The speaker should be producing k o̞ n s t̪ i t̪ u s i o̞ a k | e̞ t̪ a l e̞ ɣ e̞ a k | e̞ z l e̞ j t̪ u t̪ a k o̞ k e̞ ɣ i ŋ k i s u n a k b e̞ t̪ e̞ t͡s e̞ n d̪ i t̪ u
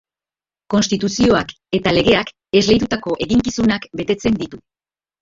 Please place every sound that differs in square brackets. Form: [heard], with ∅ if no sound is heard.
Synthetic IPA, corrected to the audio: k o̞ n s t̪ i t̪ u s i o̞ a k | e̞ t̪ a l e̞ ɣ e̞ a k | e̞ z l e̞ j t̪ u t̪ a k o̞ [ʔ] e̞ ɣ i ŋ k i s u n a k b e̞ t̪ e̞ t͡s e̞ n d̪ i t̪ u

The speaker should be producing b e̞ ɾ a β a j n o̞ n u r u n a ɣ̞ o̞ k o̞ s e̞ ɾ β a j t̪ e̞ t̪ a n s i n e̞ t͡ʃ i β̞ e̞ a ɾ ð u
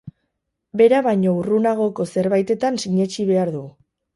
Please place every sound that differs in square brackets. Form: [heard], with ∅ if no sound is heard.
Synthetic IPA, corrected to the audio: b e̞ ɾ a β a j [ɲ] o̞ [∅] u r u n a ɣ̞ o̞ k o̞ s e̞ ɾ β a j t̪ e̞ t̪ a n s i [ɲ] e̞ t͡ʃ i β̞ e̞ a ɾ ð u

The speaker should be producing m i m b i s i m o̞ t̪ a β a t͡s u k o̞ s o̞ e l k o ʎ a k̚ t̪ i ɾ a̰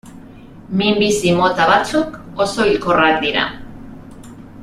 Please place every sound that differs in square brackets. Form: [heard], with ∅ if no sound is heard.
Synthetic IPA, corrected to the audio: m i m b i s i m o̞ t̪ a β a t͡s u k o̞ s o̞ [i] l k o [r] a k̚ [d̪] i ɾ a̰

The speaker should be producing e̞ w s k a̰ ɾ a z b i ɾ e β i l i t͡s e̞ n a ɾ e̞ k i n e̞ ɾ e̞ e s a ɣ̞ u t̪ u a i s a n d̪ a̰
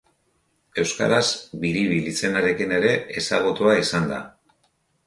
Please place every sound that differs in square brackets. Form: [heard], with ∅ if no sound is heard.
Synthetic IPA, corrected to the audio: e̞ w s k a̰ ɾ a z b i ɾ [i] β i l i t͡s e̞ n a ɾ e̞ k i n e̞ ɾ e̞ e s a ɣ̞ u t̪ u a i s a n d̪ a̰

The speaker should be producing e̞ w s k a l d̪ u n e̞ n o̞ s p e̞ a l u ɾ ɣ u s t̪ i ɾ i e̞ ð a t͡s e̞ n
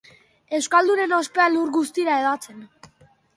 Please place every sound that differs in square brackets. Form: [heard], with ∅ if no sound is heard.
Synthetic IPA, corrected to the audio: e̞ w s k a l d̪ u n e̞ n o̞ s p e̞ a l u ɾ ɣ u s t̪ i ɾ [a] e̞ ð a t͡s e̞ n

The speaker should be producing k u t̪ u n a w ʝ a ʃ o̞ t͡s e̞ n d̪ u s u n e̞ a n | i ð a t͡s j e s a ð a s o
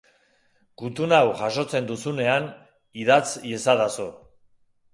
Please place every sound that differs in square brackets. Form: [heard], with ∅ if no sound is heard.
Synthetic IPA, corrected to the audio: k u t̪ u n a w ʝ a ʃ o̞ t͡s e̞ n d̪ u s u n e̞ a n | i ð a t͡s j e s a ð a s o

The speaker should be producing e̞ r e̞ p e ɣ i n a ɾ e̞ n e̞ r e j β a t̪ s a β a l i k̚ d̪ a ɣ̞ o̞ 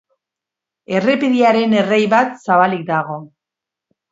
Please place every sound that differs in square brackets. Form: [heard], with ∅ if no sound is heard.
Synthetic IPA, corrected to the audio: e̞ r e̞ p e [ð] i [∅] a ɾ e̞ n e̞ r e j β a t̪ s a β a l i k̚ d̪ a ɣ̞ o̞

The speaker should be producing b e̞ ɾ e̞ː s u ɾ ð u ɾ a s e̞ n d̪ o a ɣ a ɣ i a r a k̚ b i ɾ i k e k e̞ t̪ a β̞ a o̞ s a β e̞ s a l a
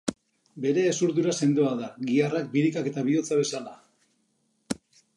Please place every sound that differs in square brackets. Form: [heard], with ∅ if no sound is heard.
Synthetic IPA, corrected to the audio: b e̞ ɾ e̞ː s u ɾ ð u ɾ a s e̞ n d̪ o a [ð] a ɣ i a r a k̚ b i ɾ i k [a] k e̞ t̪ a β̞ [i] o̞ [t͡s] a β e̞ s a l a

